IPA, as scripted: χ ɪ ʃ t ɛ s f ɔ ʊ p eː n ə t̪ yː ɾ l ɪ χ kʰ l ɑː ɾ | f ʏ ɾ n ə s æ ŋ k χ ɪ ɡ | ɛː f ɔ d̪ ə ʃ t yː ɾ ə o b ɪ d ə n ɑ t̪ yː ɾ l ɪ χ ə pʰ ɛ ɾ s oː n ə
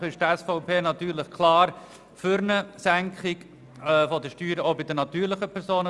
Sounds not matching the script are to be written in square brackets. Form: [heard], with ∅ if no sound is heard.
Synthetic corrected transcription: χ ɪ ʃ t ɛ s f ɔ ʊ p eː n [ɑ] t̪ yː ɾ l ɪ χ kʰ l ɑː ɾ | f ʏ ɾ n ə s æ ŋ k χ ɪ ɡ | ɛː f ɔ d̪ ə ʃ t yː ɾ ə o b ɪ d ə n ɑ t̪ yː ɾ l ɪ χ ə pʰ ɛ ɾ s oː n ə